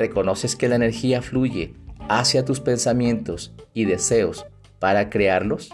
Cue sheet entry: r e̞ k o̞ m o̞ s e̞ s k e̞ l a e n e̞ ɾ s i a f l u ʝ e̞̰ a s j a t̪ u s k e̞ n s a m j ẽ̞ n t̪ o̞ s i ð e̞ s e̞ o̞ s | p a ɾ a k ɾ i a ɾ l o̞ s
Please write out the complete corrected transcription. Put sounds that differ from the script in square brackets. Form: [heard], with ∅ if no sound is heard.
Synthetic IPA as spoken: r e̞ k o̞ [n] o̞ s e̞ s k e̞ l a e n e̞ ɾ [x] i a f l u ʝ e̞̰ a s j a t̪ u s [p] e̞ n s a m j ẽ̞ n t̪ o̞ s i ð e̞ s e̞ o̞ s | p a ɾ a k ɾ [e] a ɾ l o̞ s